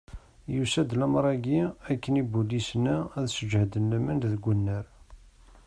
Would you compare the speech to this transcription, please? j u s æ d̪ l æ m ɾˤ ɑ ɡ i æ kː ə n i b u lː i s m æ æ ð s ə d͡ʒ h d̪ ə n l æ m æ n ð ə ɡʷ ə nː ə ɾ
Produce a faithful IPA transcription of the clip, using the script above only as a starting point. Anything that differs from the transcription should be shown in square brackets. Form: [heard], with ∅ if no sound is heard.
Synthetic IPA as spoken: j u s æ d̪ l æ m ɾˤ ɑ ɡ i æ kː ə n i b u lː i s [n] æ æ ð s ə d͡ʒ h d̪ ə n l æ m æ n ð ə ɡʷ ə nː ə ɾ